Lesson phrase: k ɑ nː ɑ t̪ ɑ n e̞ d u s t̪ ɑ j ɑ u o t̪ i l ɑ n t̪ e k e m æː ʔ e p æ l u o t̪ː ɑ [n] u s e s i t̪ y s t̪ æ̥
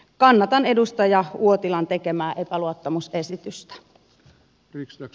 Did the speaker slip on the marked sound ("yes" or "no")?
yes